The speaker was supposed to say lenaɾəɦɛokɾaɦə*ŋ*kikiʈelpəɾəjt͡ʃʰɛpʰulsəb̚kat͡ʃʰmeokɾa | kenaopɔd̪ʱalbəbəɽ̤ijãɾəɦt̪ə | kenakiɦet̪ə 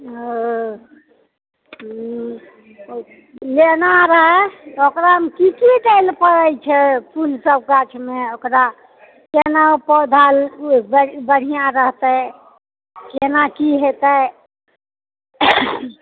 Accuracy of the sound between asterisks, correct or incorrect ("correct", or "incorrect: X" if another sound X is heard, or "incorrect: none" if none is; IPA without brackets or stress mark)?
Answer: incorrect: m